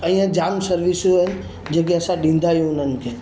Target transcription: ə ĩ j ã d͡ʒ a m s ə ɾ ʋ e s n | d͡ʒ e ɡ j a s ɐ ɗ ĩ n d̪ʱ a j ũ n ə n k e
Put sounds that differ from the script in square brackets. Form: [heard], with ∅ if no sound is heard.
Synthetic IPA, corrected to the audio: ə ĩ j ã d͡ʒ a m s ə ɾ ʋ [i] s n | d͡ʒ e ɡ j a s [a] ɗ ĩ n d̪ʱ a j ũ n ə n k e